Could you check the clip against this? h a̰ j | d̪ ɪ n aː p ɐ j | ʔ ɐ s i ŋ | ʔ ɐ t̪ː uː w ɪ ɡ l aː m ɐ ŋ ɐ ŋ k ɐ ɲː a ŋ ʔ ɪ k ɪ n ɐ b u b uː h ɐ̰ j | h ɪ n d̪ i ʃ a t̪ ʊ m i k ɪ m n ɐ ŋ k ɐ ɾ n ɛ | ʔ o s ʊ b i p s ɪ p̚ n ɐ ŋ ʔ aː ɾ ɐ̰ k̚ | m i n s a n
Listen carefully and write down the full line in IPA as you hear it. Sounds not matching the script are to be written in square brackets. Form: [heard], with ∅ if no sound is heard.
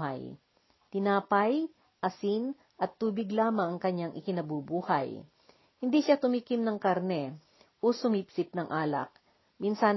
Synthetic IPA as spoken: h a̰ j | [t̪] ɪ n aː p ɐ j | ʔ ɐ s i [n] | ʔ ɐ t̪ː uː [b] ɪ ɡ l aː m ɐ ŋ ɐ ŋ k ɐ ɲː a ŋ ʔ ɪ k ɪ n ɐ b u b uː h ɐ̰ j | h ɪ n d̪ i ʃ a t̪ ʊ m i k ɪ m n ɐ ŋ k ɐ ɾ n ɛ | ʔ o s ʊ [m] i p s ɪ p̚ n ɐ ŋ ʔ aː [l] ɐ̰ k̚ | m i n s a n